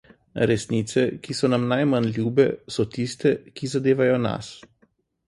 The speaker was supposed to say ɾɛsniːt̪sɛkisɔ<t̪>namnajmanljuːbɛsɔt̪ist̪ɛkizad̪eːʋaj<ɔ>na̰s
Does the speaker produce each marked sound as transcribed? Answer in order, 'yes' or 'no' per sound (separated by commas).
no, yes